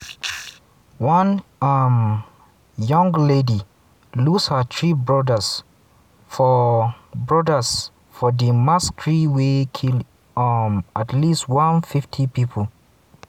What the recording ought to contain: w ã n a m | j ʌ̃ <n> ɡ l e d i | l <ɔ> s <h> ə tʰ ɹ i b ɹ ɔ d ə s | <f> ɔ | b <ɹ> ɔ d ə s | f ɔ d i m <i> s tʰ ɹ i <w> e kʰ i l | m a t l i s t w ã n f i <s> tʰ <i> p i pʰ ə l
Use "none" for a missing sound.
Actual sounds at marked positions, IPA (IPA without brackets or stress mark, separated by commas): ŋ, u, h, f, ɹ, a, w, f, i